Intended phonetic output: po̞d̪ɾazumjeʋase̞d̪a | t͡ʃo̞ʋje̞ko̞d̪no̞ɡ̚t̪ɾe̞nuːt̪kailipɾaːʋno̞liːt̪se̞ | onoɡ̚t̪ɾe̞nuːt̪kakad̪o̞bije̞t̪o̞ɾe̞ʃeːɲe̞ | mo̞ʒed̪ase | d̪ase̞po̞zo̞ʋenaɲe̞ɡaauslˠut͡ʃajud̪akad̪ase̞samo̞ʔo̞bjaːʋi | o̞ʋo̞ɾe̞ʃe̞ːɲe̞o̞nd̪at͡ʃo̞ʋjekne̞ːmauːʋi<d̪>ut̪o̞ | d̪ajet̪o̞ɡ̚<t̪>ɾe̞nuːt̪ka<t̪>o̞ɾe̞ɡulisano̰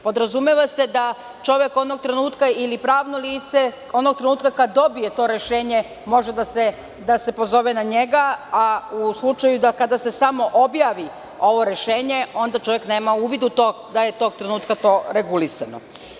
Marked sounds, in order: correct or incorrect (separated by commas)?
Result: correct, correct, correct